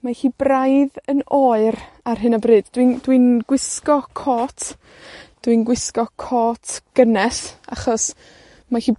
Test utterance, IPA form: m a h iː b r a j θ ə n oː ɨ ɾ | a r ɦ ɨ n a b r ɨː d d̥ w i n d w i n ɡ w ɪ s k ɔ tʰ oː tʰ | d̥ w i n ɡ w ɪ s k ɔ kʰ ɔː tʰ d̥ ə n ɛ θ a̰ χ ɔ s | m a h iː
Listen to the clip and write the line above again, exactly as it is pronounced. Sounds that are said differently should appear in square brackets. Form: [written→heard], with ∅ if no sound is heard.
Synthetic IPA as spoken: m a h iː b r a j [θ→ð] ə n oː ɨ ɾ | a r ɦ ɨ n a b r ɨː d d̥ w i n d w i n ɡ w ɪ s k ɔ [tʰ→kʰ] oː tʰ | d̥ w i n ɡ w ɪ s k ɔ kʰ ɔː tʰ [d̥→ɡ̥] ə n ɛ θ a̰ χ ɔ s | m a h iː